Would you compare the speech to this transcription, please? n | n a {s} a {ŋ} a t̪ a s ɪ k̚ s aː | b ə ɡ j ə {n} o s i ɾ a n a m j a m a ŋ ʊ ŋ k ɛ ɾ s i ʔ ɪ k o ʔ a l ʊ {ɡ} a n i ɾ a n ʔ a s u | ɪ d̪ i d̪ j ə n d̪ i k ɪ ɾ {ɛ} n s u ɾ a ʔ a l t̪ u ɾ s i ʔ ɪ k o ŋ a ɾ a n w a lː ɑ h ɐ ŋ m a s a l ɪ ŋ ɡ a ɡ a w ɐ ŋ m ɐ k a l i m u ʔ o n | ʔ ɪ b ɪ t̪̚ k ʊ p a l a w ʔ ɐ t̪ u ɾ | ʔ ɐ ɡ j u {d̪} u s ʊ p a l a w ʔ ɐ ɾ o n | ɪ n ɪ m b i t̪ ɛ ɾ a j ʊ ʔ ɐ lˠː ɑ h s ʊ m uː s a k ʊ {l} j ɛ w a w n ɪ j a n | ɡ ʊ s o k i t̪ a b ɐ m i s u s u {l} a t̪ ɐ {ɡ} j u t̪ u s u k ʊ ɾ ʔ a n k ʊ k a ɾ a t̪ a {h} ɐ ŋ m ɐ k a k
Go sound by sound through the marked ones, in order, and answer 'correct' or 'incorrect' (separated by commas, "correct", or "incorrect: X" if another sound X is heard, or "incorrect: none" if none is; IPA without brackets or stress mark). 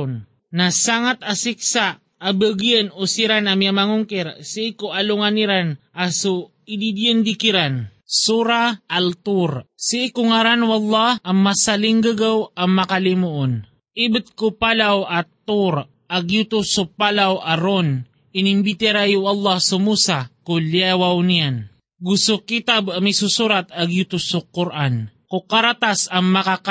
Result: correct, correct, correct, incorrect: ŋ, incorrect: a, incorrect: t̪, correct, incorrect: ɾ, correct, incorrect: s